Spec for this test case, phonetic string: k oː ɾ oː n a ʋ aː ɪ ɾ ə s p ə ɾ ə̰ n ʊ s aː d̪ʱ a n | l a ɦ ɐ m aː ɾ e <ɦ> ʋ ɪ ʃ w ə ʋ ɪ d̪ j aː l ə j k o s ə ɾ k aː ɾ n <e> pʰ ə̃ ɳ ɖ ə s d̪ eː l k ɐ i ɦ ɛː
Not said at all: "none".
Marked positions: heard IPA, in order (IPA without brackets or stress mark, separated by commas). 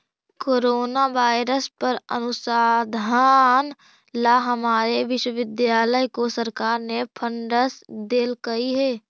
none, e